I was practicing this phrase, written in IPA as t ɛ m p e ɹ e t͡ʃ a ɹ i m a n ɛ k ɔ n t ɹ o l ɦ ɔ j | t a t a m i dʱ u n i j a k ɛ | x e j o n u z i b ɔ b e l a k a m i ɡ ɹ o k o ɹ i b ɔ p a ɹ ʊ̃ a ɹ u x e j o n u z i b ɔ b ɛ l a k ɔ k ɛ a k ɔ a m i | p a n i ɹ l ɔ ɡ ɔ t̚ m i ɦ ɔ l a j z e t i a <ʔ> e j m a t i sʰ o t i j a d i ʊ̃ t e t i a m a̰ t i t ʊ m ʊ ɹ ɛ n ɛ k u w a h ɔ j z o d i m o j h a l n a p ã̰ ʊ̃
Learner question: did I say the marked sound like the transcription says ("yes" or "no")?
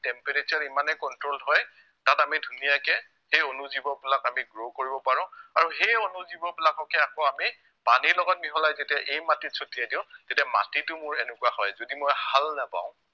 yes